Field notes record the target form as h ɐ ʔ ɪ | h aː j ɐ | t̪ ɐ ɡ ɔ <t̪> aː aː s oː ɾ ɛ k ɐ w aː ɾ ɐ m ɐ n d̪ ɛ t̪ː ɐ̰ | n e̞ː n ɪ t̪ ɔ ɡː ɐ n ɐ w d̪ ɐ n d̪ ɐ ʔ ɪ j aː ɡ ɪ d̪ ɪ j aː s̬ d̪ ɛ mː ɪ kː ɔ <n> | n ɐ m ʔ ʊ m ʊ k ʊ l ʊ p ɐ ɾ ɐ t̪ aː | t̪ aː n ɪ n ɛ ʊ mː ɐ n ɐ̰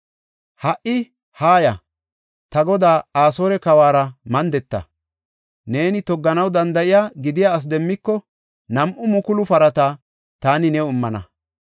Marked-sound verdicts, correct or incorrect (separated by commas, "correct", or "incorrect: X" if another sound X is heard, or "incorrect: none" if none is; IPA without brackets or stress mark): incorrect: d̪, incorrect: none